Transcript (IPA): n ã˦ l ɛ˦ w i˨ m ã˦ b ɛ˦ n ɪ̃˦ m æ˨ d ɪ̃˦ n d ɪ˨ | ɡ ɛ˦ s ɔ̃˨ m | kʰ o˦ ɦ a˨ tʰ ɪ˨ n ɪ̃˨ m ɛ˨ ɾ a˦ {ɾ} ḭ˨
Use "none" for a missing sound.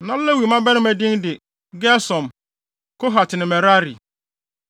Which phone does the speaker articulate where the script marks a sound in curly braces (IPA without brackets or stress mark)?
ɾ